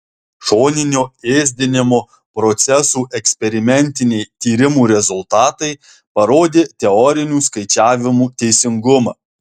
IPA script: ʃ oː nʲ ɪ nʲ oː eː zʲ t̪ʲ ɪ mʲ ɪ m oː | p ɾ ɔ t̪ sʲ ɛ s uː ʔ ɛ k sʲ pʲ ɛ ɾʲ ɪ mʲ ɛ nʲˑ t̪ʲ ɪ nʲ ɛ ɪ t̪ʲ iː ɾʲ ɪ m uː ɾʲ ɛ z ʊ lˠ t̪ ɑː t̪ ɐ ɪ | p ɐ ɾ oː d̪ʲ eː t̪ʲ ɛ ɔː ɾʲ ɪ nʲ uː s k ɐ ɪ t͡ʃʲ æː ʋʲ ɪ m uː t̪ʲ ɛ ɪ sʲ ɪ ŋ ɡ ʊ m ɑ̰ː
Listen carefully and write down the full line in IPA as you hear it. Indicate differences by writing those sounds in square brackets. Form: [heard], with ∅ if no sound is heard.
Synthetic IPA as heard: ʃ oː nʲ ɪ nʲ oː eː zʲ [d̪ʲ] ɪ [nʲ] ɪ m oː | p ɾ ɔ t̪ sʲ ɛ s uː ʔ ɛ k sʲ pʲ ɛ ɾʲ ɪ mʲ ɛ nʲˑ t̪ʲ ɪ nʲ ɛ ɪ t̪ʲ iː ɾʲ ɪ m uː ɾʲ ɛ z ʊ lˠ t̪ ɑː t̪ ɐ ɪ | p ɐ ɾ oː d̪ʲ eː t̪ʲ ɛ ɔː ɾʲ ɪ nʲ uː s k ɐ ɪ t͡ʃʲ æː ʋʲ ɪ m uː t̪ʲ ɛ ɪ sʲ ɪ ŋ ɡ ʊ m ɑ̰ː